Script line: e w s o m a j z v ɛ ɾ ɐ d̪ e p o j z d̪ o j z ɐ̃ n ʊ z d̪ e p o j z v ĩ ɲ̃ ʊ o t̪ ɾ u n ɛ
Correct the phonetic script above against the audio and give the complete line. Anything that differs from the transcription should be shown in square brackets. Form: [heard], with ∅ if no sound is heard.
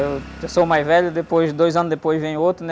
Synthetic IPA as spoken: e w s o m a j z v ɛ [ʎ] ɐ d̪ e p o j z d̪ o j z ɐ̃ n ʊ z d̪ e p o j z v [ẽ] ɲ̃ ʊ o t̪ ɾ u n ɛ